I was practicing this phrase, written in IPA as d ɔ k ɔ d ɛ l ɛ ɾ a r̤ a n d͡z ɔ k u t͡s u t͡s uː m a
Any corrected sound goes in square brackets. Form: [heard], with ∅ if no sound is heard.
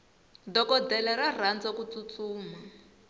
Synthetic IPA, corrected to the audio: d ɔ k ɔ d ɛ l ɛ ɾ a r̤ a n d͡z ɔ k u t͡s u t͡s uː m a